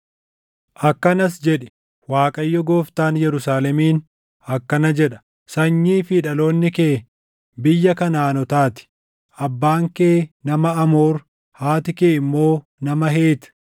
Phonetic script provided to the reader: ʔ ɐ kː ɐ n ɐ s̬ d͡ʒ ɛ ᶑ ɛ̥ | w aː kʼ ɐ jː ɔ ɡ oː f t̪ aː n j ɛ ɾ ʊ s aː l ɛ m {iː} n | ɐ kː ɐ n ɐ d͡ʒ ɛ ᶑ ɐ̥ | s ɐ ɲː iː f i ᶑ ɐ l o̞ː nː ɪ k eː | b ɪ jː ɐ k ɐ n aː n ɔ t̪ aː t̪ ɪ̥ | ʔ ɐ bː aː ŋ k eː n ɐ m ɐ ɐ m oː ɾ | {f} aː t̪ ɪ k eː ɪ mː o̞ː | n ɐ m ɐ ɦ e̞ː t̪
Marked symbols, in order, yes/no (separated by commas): yes, no